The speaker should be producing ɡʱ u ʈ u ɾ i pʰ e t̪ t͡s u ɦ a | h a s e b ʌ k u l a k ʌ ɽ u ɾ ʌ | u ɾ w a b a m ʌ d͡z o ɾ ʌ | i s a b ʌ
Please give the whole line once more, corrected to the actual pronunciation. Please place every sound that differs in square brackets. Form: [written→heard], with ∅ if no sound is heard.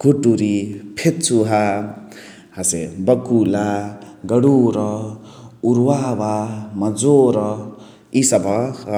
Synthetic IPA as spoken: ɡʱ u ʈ u ɾ i pʰ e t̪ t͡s u ɦ a | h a s e b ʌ k u l a [k→ɡ] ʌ ɽ u ɾ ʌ | u ɾ w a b a m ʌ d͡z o ɾ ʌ | i s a b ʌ